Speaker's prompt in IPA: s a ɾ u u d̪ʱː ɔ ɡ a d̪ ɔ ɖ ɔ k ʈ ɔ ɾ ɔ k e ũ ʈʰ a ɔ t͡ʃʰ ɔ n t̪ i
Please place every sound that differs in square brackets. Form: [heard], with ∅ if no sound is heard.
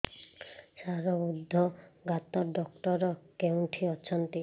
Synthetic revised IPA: s a ɾ [ɔ] u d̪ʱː ɔ ɡ a [t̪] ɔ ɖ ɔ k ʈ ɔ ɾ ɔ k e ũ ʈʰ [i] ɔ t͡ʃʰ ɔ n t̪ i